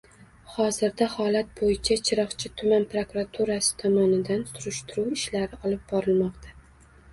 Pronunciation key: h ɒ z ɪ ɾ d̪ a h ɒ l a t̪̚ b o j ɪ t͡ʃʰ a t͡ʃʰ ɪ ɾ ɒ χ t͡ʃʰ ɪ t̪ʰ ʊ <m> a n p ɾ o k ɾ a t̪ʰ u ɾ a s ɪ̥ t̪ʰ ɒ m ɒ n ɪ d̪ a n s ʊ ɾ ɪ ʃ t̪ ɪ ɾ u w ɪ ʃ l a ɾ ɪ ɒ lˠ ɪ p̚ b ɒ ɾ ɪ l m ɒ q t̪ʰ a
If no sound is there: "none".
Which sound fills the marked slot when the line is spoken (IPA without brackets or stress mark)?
m